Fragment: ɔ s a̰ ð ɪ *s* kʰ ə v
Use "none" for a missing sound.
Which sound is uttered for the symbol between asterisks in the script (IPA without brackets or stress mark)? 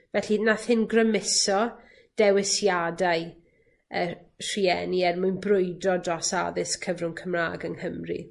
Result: s